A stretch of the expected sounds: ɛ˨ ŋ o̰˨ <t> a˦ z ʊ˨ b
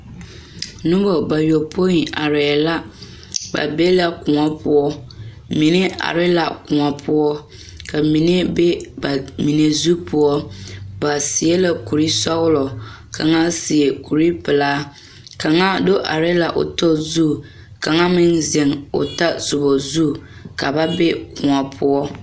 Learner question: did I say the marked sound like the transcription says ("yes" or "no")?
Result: yes